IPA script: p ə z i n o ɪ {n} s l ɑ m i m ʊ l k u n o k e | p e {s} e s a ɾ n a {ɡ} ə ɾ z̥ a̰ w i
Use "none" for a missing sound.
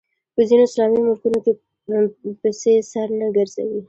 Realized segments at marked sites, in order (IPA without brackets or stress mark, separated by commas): none, s, ɡ